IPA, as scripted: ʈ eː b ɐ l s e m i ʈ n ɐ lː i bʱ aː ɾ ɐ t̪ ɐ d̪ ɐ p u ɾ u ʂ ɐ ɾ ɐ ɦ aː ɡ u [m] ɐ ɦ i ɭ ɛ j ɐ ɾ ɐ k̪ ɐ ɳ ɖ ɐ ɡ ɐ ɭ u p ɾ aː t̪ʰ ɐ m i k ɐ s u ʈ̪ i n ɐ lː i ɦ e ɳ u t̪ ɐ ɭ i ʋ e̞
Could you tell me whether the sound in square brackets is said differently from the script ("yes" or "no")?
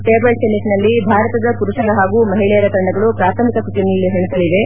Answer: no